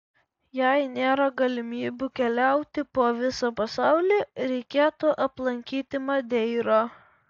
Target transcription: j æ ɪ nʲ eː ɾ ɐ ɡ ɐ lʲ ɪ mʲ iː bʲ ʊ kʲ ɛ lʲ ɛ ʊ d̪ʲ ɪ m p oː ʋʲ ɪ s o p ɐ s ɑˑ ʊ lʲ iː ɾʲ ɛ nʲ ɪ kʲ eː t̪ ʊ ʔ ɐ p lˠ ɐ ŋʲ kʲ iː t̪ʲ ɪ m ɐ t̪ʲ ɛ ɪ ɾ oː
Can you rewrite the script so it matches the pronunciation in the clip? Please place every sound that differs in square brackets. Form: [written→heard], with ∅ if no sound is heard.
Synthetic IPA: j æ ɪ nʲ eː ɾ ɐ ɡ ɐ lʲ ɪ mʲ iː bʲ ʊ kʲ ɛ lʲ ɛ ʊ [d̪ʲ→t̪ʲ] ɪ [m→∅] p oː ʋʲ ɪ s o p ɐ s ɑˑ ʊ lʲ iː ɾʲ ɛ [nʲ→∅] ɪ kʲ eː t̪ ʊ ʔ ɐ p lˠ ɐ ŋʲ kʲ iː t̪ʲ ɪ m ɐ [t̪ʲ→d̪ʲ] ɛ ɪ ɾ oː